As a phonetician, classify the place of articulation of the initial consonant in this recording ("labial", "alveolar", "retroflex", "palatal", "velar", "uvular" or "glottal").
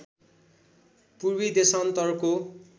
labial